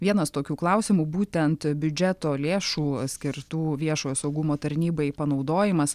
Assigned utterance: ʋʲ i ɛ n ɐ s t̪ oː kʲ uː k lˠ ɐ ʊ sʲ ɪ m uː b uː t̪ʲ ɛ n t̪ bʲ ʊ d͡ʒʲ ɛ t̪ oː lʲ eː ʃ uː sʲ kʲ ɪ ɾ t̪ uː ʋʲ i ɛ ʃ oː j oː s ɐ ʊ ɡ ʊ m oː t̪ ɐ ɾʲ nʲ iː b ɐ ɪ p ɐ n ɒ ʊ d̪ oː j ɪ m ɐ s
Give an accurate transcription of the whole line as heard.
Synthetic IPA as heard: ʋʲ i ɛ n ɐ s t̪ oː kʲ uː k lˠ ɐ ʊ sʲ ɪ m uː b uː t̪ʲ ɛ n t̪ bʲ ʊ d͡ʒʲ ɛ t̪ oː lʲ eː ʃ uː sʲ kʲ ɪ ɾ t̪ uː ʋʲ i ɛ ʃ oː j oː s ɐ ʊ ɡ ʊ m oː t̪ ɐ ɾʲ nʲ iː b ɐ ɪ p ɐ n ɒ ʊ d̪ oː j ɪ m ɐ s